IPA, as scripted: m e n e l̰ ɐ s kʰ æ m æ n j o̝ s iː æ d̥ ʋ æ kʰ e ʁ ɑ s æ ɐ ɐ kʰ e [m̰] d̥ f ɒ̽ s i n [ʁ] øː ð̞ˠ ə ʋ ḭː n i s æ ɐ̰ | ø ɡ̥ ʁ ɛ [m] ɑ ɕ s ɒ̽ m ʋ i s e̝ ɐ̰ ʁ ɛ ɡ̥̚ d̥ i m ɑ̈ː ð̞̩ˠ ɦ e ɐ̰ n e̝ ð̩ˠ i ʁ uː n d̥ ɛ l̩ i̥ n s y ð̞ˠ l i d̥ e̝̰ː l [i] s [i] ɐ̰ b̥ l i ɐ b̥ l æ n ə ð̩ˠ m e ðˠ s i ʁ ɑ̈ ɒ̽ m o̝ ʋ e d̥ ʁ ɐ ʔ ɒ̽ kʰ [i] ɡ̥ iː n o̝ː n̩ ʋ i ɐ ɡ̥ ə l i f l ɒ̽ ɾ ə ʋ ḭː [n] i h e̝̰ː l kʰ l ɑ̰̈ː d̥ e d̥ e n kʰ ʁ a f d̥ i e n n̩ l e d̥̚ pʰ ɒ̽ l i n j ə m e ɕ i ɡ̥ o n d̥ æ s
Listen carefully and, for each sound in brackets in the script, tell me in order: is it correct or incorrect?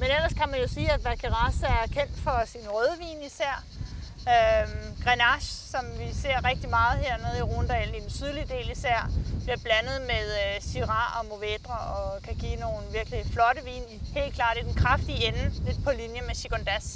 incorrect: n̰, correct, incorrect: n, correct, incorrect: æ, incorrect: æ, correct

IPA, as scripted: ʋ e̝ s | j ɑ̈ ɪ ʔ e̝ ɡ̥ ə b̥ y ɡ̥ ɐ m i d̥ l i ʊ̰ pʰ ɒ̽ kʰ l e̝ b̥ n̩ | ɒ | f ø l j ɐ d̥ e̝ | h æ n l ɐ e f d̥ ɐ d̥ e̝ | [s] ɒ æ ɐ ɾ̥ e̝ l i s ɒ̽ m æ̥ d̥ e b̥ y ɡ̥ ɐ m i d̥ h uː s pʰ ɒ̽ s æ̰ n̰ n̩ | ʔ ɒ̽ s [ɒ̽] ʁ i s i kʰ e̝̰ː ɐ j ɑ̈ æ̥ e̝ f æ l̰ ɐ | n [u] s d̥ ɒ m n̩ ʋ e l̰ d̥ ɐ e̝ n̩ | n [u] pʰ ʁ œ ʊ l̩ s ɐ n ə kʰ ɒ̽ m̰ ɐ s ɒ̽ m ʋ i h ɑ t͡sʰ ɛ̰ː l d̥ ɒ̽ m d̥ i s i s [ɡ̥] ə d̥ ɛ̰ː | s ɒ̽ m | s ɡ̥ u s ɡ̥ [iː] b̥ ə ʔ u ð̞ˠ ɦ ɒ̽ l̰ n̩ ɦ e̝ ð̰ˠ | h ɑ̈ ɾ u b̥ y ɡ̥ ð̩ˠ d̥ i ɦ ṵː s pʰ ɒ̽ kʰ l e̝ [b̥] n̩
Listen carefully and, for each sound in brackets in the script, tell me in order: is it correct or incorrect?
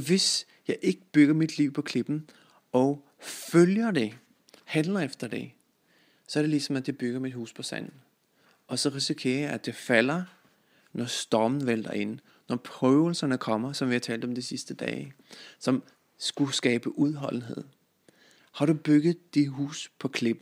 correct, correct, incorrect: ɒ, incorrect: ɒ, incorrect: d̥, incorrect: ɛː, correct

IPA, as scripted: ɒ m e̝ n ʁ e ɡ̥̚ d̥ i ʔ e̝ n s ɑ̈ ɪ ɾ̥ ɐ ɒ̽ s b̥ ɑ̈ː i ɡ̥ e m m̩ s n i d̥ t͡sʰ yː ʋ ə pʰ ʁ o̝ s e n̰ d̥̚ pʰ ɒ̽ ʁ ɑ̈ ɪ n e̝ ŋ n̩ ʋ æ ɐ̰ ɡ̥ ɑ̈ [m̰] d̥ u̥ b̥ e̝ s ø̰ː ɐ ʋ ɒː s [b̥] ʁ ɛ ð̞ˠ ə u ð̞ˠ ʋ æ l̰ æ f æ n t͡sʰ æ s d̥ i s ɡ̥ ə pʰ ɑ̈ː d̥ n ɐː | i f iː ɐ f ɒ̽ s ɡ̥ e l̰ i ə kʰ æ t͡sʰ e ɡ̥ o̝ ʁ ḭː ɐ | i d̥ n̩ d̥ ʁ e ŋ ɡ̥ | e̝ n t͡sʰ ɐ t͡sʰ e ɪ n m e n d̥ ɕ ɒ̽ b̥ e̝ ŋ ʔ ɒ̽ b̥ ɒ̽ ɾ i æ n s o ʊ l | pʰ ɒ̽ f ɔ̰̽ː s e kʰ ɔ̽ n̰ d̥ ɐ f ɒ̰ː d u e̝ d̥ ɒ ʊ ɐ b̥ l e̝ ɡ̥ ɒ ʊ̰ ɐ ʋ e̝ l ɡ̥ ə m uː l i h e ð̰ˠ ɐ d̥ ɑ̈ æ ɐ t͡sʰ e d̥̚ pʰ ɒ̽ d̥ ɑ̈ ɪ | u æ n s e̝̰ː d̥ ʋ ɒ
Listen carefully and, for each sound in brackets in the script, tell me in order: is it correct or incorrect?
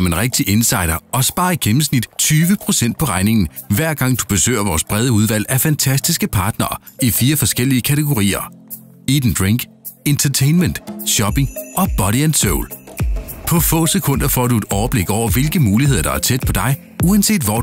incorrect: ŋ̰, correct

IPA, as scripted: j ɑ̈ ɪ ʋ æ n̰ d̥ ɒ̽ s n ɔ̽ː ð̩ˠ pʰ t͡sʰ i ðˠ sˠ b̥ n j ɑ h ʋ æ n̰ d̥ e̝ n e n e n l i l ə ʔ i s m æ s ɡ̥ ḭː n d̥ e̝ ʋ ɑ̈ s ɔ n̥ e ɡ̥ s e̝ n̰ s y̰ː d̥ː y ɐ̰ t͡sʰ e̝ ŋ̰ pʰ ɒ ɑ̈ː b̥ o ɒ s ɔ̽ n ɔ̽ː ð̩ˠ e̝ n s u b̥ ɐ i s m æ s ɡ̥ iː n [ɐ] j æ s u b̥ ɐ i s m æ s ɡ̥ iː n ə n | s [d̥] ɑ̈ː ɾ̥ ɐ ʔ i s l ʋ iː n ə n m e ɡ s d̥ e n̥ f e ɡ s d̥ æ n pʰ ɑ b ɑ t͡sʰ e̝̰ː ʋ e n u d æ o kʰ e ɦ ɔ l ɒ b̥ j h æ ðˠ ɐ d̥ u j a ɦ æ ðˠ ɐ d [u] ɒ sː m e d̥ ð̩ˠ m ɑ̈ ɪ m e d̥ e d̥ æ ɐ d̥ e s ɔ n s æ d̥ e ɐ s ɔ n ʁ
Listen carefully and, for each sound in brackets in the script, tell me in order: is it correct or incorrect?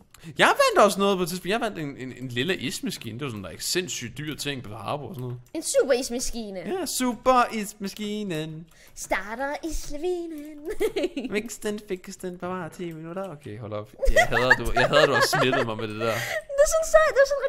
incorrect: ə, correct, correct

